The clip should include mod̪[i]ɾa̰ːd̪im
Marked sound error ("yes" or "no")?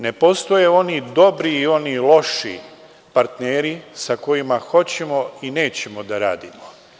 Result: yes